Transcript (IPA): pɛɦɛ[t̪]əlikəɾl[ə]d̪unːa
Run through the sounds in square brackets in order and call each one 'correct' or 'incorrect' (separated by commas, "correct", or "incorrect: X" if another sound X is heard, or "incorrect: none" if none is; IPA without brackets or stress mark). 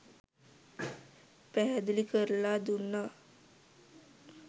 incorrect: d̪, incorrect: a